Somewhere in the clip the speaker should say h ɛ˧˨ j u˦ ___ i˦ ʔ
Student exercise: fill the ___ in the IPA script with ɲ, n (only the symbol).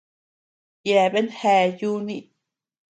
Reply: n